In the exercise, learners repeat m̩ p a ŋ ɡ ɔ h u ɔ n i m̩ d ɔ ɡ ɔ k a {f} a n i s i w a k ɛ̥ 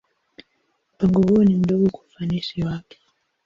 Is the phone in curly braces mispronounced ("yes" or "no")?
no